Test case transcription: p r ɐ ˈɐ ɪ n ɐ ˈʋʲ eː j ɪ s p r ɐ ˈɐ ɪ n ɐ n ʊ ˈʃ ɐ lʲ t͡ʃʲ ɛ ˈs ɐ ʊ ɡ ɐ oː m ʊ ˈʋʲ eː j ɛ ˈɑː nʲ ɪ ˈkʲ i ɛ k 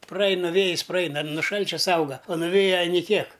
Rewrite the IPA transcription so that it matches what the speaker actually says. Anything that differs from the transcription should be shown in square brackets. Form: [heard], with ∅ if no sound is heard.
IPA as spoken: p r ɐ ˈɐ ɪ n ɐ ˈʋʲ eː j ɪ s p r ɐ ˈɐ ɪ n ɐ n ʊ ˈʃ ɐ lʲ t͡ʃʲ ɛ ˈs ɐ ʊ ɡ ɐ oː [n] ʊ ˈʋʲ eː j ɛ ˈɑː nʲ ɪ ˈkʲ i ɛ k